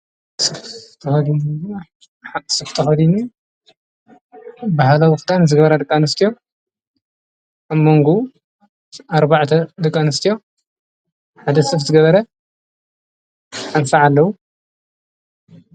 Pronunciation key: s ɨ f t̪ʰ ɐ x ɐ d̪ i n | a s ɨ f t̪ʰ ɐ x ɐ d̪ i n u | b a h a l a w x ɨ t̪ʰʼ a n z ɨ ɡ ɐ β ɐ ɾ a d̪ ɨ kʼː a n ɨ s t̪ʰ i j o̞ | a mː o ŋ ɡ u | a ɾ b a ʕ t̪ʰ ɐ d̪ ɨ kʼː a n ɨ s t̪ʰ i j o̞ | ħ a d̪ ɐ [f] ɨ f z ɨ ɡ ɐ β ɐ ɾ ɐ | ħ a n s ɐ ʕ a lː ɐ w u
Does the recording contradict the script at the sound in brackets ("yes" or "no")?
yes